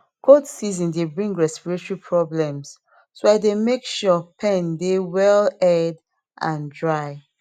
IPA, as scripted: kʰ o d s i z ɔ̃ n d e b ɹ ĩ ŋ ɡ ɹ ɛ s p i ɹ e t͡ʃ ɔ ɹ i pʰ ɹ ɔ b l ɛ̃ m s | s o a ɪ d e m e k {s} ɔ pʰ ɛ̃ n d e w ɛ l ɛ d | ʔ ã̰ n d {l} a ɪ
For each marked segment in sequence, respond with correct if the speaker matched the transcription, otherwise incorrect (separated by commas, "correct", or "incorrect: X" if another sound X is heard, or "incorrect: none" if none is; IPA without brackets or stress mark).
incorrect: ʃ, incorrect: ɹ